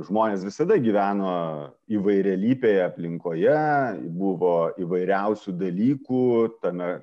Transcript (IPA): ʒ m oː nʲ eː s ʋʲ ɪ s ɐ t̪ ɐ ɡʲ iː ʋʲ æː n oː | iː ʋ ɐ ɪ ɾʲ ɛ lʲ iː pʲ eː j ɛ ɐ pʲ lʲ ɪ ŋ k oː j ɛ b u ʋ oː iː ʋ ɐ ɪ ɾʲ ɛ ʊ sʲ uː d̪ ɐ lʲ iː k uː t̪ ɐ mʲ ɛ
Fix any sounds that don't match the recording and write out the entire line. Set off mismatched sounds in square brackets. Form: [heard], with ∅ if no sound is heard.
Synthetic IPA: ʒ m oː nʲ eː s ʋʲ ɪ s ɐ [d̪] ɐ ɡʲ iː ʋʲ æː n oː | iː ʋ ɐ ɪ ɾʲ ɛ lʲ iː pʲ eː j ɛ ɐ pʲ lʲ ɪ ŋ k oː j ɛ b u ʋ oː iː ʋ ɐ ɪ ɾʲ ɛ ʊ sʲ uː d̪ ɐ lʲ iː k uː t̪ ɐ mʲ ɛ

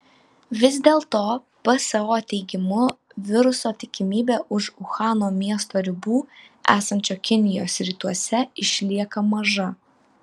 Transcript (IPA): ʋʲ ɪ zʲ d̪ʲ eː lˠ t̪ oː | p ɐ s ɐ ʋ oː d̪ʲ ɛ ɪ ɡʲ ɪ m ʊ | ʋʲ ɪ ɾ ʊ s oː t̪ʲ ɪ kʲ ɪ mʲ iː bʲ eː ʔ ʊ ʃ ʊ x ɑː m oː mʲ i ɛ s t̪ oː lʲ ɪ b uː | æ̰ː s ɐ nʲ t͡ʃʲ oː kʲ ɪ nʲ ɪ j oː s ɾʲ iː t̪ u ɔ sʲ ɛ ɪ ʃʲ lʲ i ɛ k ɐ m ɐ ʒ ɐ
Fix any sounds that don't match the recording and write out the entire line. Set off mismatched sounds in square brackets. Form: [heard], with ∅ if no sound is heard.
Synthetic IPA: ʋʲ ɪ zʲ d̪ʲ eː lˠ t̪ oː | p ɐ s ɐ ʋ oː [t̪ʲ] ɛ ɪ ɡʲ ɪ m ʊ | ʋʲ ɪ ɾ ʊ s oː t̪ʲ ɪ kʲ ɪ mʲ iː bʲ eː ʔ ʊ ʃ ʊ x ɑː [n] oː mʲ i ɛ s t̪ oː [ɾʲ] ɪ b uː | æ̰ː s ɐ nʲ t͡ʃʲ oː kʲ ɪ nʲ ɪ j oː s ɾʲ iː t̪ u ɔ sʲ ɛ ɪ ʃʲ lʲ i ɛ k ɐ m ɐ ʒ ɐ

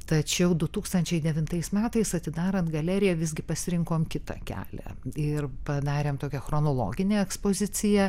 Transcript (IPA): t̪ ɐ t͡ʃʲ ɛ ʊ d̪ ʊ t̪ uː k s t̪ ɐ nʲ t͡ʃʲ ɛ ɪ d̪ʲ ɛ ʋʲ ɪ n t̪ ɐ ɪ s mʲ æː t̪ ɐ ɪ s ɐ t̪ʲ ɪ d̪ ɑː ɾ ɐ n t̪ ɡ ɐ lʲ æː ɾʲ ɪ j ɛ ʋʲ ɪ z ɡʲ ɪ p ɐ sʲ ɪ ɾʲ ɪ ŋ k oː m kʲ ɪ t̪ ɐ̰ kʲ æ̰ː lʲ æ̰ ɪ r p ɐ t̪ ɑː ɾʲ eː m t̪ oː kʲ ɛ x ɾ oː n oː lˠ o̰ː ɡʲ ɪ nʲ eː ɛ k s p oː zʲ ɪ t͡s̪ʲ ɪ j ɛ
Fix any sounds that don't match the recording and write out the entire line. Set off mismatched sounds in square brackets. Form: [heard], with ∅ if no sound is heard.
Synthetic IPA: t̪ ɐ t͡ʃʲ ɛ ʊ d̪ ʊ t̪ uː k s t̪ ɐ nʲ t͡ʃʲ ɛ ɪ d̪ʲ ɛ ʋʲ ɪ n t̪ ɐ ɪ s mʲ æː t̪ ɐ ɪ s ɐ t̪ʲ ɪ d̪ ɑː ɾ ɐ n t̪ ɡ ɐ lʲ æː ɾʲ ɪ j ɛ ʋʲ ɪ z ɡʲ ɪ p ɐ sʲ ɪ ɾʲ ɪ ŋ k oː m kʲ ɪ t̪ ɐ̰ kʲ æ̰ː lʲ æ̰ ɪ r p ɐ [d̪] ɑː ɾʲ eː m t̪ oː kʲ ɛ x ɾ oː n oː lˠ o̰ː ɡʲ ɪ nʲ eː ɛ k s p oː zʲ ɪ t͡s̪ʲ ɪ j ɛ

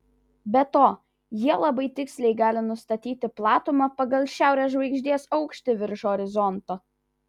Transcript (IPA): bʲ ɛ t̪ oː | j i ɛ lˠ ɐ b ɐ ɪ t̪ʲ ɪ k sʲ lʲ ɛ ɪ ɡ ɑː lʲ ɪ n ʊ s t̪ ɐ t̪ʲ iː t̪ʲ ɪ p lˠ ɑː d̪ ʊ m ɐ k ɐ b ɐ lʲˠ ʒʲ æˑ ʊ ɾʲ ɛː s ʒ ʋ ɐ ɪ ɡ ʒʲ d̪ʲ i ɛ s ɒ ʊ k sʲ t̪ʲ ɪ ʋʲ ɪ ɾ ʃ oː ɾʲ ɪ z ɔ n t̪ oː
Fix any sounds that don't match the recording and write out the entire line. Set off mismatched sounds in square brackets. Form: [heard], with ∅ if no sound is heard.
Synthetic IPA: bʲ ɛ t̪ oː | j i ɛ lˠ ɐ b ɐ ɪ t̪ʲ ɪ k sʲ lʲ ɛ ɪ ɡ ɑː lʲ ɪ n ʊ s t̪ ɐ t̪ʲ iː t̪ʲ ɪ p lˠ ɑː [t̪] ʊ m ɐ [p] ɐ [ɡ] ɐ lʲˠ [ʃʲ] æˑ ʊ ɾʲ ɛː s ʒ ʋ ɐ ɪ ɡ ʒʲ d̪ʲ i ɛ s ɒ ʊ k [ʃʲ] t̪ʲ ɪ ʋʲ ɪ ɾ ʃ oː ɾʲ ɪ z ɔ n t̪ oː

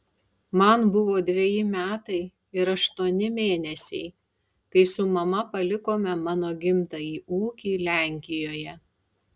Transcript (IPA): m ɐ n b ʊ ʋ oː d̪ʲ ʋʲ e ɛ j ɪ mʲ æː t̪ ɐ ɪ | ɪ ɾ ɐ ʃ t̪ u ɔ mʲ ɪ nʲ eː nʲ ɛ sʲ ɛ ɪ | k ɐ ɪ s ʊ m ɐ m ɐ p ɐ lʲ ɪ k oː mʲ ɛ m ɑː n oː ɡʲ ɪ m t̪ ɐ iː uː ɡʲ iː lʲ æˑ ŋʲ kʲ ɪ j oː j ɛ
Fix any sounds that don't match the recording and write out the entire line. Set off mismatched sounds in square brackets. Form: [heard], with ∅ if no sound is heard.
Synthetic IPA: m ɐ n b ʊ ʋ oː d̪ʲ ʋʲ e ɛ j ɪ mʲ æː t̪ ɐ ɪ | ɪ ɾ ɐ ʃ t̪ u ɔ [nʲ] ɪ [mʲ] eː nʲ ɛ sʲ ɛ ɪ | k ɐ ɪ s ʊ m ɐ m ɐ p ɐ lʲ ɪ k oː mʲ ɛ m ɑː n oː ɡʲ ɪ m t̪ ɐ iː uː [kʲ] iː lʲ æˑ ŋʲ kʲ ɪ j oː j ɛ

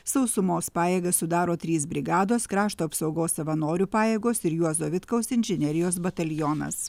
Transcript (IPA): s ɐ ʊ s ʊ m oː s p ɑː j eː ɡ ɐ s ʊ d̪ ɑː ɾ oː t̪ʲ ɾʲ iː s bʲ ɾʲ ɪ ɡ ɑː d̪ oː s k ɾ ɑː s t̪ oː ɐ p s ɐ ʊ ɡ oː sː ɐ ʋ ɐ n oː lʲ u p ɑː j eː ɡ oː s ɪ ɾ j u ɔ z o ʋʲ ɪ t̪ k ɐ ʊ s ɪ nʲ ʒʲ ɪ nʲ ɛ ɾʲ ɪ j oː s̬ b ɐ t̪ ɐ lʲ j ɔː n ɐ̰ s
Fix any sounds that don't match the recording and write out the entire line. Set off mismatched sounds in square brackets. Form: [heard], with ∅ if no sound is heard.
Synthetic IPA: s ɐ ʊ s ʊ m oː s p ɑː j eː ɡ ɐ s ʊ d̪ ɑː ɾ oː t̪ʲ ɾʲ iː s bʲ ɾʲ ɪ ɡ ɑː d̪ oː s k ɾ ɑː [ʃ] t̪ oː ɐ p s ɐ ʊ ɡ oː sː ɐ ʋ ɐ n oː [ɾʲ] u p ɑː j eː ɡ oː s ɪ ɾ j u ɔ z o ʋʲ ɪ t̪ k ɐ ʊ s ɪ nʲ ʒʲ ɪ nʲ ɛ ɾʲ ɪ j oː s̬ b ɐ t̪ ɐ lʲ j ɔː n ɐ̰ s

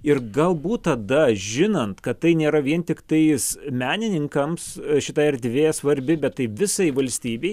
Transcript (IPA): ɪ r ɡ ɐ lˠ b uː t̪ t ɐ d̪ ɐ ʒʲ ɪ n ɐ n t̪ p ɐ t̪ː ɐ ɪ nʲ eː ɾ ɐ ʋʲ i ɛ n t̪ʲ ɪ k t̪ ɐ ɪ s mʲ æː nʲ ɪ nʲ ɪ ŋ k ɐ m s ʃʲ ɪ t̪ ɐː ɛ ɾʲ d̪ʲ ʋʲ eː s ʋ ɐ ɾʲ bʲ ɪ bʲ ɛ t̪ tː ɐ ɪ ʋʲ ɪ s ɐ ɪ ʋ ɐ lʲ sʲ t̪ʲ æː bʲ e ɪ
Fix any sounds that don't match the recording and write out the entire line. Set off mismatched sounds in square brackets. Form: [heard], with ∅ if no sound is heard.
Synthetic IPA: ɪ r ɡ ɐ lˠ b uː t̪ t ɐ d̪ ɐ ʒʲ ɪ n ɐ n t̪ [k] ɐ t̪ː ɐ ɪ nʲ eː ɾ ɐ ʋʲ i ɛ n t̪ʲ ɪ k t̪ ɐ ɪ s mʲ æː nʲ ɪ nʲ ɪ ŋ k ɐ m s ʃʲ ɪ t̪ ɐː ɛ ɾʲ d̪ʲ ʋʲ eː s ʋ ɐ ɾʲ bʲ ɪ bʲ ɛ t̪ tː ɐ ɪ ʋʲ ɪ s ɐ ɪ ʋ ɐ lʲ sʲ t̪ʲ [iː] bʲ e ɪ

